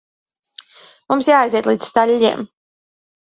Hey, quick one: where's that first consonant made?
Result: lips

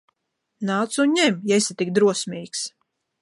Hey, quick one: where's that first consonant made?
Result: tongue tip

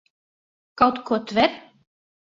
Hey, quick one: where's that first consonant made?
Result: velum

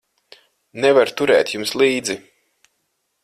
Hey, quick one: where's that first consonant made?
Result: tongue tip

